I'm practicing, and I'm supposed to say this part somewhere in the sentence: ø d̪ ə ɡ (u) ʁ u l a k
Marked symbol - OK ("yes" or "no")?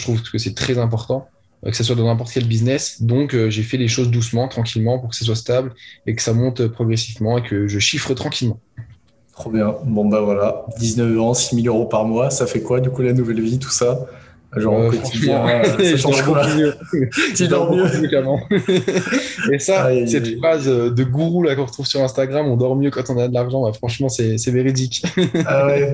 yes